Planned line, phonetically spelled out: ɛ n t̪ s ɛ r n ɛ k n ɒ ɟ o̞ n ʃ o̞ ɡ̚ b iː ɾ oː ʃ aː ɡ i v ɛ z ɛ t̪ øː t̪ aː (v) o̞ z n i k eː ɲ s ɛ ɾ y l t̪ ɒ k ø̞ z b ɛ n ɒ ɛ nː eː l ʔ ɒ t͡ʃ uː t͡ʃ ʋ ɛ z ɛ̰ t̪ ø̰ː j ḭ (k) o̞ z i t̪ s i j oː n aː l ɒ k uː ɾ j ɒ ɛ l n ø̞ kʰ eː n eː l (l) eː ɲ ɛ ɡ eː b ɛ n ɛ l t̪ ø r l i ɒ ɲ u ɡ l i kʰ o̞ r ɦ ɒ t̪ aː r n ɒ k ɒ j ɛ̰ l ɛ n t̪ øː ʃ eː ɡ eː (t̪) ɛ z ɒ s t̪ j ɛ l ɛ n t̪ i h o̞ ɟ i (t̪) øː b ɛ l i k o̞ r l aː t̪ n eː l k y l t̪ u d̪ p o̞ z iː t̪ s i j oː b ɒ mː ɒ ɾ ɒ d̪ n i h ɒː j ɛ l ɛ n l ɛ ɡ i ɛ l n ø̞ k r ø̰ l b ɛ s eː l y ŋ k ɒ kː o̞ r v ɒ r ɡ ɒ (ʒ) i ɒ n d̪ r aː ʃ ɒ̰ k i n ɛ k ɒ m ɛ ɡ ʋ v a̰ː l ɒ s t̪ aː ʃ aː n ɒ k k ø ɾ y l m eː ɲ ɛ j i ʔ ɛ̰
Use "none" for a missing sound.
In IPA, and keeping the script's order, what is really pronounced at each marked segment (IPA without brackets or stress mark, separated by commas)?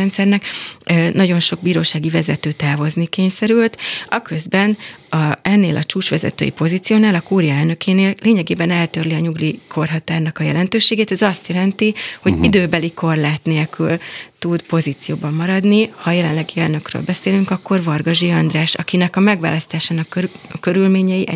v, p, l, t̪, d̪, ʒ